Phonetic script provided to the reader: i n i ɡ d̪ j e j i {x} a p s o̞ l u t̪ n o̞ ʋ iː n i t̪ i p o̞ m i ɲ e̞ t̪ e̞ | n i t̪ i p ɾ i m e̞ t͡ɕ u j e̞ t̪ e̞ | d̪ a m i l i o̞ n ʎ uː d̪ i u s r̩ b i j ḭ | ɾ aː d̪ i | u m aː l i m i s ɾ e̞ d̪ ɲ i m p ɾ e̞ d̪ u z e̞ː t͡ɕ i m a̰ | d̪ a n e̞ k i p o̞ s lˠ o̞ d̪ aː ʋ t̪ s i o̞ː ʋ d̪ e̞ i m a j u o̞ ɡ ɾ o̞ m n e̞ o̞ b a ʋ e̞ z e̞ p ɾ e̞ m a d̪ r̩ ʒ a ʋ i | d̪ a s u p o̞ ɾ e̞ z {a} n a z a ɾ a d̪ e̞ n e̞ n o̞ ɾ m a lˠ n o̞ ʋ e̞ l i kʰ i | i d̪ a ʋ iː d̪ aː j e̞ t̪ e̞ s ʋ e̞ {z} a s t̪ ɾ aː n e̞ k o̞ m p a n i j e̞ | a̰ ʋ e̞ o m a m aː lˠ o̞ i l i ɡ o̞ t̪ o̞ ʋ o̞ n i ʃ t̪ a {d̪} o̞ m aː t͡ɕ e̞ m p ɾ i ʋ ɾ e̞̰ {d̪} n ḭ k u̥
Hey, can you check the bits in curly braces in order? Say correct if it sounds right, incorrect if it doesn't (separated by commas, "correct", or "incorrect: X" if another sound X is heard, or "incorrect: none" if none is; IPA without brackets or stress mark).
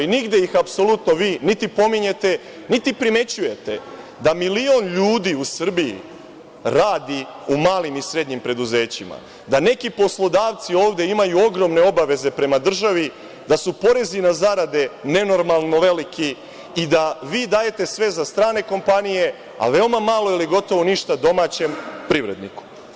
correct, incorrect: i, correct, correct, correct